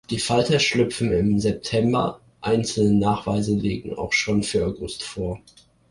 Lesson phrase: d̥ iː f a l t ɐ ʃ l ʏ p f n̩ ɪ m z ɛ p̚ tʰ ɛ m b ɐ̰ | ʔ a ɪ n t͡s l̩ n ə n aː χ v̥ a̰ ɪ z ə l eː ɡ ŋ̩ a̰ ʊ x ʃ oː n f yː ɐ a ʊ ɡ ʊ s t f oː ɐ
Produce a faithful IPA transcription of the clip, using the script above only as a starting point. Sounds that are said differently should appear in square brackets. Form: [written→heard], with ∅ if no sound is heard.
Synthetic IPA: d̥ iː f a l t ɐ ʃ l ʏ p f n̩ ɪ m z ɛ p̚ tʰ ɛ m b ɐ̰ | ʔ a ɪ n t͡s l̩ n ə n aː χ v̥ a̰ ɪ z ə l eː ɡ ŋ̩ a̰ ʊ x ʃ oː n f yː ɐ a ʊ ɡ ʊ s t f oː ɐ